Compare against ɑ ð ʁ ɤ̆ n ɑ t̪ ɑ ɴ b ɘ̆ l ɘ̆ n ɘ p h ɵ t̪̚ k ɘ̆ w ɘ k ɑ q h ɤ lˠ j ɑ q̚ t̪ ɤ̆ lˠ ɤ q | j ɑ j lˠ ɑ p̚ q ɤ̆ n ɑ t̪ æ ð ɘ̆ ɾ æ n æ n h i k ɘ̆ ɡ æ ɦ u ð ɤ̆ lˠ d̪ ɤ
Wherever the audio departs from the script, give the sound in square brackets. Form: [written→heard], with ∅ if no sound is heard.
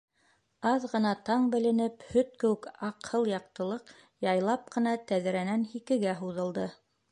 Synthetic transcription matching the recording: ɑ ð ʁ ɤ̆ n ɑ t̪ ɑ ɴ b ɘ̆ l ɘ̆ n ɘ p h ɵ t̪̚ k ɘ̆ w ɘ k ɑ q h ɤ lˠ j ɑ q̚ t̪ ɤ̆ lˠ ɤ q | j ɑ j lˠ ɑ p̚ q ɤ̆ n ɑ t̪ æ ð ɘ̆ ɾ æ n æ n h i k ɘ̆ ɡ æ ɦ u ð ɤ̆ lˠ d̪ ɤ